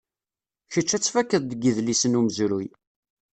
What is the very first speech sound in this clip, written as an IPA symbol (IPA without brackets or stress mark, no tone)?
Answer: ç